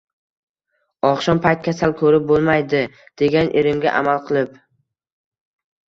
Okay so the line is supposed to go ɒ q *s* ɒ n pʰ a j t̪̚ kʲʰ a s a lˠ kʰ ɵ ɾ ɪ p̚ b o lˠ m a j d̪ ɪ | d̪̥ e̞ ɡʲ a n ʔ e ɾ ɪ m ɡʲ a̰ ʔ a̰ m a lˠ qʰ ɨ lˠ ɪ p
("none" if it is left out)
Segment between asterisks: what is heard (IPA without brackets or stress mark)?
ʃ